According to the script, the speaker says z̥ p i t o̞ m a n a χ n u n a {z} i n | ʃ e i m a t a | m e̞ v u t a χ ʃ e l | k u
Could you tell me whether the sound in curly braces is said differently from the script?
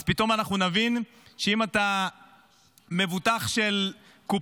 yes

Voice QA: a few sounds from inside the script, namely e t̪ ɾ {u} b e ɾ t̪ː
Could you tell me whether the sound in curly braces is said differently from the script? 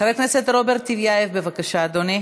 yes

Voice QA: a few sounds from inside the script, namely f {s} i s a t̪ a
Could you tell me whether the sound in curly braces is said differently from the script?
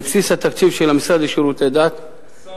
no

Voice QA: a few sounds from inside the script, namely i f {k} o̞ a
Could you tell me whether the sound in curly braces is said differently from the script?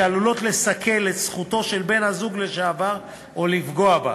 yes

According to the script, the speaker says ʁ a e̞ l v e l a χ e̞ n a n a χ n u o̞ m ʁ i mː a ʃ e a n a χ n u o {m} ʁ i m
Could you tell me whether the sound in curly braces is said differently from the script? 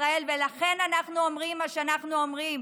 no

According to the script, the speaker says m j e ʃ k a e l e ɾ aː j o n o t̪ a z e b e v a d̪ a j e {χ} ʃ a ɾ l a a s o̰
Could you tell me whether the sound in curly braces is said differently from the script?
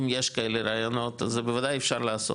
yes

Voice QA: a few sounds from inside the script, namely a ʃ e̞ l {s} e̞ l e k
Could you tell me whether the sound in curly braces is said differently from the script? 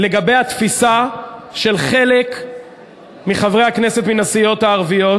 yes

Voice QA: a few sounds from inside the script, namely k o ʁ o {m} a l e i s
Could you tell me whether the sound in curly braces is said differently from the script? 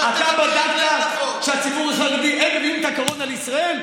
yes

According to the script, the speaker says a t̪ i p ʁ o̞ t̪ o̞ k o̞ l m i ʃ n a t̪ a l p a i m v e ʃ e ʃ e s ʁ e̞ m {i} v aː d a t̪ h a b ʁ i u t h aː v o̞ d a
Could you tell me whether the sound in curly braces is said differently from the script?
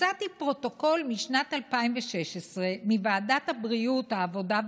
no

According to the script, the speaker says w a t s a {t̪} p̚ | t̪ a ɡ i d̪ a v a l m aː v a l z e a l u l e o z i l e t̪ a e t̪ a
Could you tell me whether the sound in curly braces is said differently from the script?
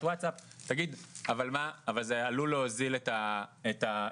yes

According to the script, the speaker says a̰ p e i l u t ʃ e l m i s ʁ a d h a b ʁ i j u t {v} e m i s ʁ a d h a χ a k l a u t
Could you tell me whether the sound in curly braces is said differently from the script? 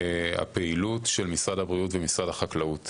no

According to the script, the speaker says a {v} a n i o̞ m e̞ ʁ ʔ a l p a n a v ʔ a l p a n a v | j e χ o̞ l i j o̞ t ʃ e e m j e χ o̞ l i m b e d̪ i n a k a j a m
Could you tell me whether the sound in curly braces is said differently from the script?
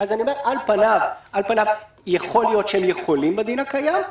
yes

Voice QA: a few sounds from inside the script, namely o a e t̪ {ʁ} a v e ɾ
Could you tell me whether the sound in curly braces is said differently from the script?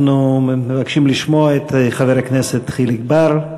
yes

